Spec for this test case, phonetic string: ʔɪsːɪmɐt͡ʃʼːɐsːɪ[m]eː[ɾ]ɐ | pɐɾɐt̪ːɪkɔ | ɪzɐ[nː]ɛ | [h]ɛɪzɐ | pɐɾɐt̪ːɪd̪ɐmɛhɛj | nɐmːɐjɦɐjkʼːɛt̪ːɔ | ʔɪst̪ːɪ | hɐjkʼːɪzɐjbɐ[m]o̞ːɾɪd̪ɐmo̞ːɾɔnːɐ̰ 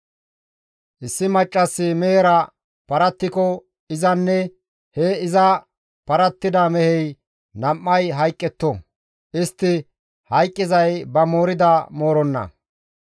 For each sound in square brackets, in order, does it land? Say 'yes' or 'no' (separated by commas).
yes, yes, yes, yes, yes